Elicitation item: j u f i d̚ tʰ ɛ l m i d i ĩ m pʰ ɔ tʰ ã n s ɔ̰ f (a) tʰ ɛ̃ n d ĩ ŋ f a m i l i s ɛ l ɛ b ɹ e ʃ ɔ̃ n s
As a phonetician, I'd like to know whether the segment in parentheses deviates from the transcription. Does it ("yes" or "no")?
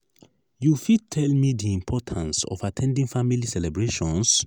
no